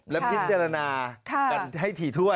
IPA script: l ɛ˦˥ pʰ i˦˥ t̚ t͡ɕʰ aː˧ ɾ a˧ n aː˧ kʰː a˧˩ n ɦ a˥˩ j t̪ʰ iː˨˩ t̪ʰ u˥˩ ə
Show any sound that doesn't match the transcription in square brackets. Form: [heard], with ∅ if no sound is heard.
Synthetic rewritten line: l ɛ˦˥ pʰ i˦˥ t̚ [t͡ɕ] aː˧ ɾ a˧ n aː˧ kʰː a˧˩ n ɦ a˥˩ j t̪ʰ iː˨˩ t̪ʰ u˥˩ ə

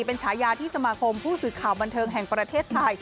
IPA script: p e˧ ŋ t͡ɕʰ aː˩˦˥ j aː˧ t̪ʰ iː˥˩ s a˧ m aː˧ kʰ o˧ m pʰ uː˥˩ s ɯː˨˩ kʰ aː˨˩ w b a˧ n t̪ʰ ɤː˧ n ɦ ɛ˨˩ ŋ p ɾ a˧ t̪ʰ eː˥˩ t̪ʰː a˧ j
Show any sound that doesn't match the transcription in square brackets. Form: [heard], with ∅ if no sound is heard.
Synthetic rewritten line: p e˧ [n] t͡ɕʰ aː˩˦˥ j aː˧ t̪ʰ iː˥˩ s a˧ m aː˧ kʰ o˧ m pʰ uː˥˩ s ɯː˨˩ kʰ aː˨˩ w b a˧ n t̪ʰ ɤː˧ [ŋ] ɦ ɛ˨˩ ŋ p ɾ a˧ t̪ʰ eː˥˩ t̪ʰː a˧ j

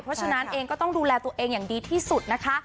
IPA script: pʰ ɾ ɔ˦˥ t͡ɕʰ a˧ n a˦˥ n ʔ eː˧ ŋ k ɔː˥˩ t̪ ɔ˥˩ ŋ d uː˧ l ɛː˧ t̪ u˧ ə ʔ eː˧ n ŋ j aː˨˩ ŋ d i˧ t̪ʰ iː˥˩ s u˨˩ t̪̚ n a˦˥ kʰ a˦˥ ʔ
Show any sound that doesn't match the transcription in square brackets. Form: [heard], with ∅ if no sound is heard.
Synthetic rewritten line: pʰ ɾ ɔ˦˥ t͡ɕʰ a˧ n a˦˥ n ʔ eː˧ ŋ k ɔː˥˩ t̪ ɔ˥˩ ŋ d uː˧ l ɛː˧ t̪ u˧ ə ʔ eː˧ [∅] ŋ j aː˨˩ ŋ d [iː˧] t̪ʰ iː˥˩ s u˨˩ t̪̚ n a˦˥ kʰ a˦˥ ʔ

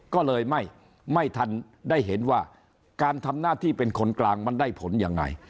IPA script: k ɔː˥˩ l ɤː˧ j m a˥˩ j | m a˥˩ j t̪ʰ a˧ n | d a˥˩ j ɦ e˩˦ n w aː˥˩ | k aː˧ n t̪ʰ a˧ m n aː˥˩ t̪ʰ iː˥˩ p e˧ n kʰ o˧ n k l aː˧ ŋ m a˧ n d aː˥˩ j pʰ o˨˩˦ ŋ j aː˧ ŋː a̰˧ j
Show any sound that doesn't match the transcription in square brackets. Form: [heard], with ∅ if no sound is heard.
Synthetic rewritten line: k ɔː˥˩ l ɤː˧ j m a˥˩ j | m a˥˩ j t̪ʰ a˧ n | d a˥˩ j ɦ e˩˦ n w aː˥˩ | k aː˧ n t̪ʰ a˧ m n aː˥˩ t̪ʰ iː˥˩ p e˧ n kʰ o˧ n k l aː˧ ŋ m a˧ n d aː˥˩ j pʰ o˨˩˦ [n] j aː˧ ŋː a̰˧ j

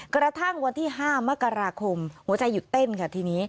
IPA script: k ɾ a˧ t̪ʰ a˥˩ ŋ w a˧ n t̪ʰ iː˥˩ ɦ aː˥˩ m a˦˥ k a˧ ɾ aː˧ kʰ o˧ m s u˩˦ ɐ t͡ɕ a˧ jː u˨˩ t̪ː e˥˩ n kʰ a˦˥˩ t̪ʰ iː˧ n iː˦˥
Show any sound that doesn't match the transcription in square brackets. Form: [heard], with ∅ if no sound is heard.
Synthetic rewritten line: k ɾ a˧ t̪ʰ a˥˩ ŋ w a˧ n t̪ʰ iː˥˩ ɦ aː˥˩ m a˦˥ k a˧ ɾ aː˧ kʰ o˧ m [h] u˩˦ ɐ t͡ɕ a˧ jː u˨˩ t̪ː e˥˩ n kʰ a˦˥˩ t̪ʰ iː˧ n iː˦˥

